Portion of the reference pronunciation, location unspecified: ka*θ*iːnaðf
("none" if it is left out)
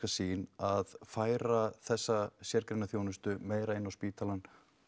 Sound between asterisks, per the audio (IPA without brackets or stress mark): s